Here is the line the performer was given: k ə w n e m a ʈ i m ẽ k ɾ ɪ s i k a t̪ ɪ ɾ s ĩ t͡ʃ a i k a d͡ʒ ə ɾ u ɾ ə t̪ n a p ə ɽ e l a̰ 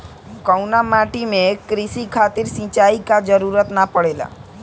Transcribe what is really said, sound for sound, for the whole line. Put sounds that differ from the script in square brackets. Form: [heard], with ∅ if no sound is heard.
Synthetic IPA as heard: k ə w n [a] m a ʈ i m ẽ k ɾ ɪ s i [kʰ] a t̪ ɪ ɾ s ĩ t͡ʃ a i k a d͡ʒ ə ɾ u ɾ ə t̪ n a p ə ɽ e l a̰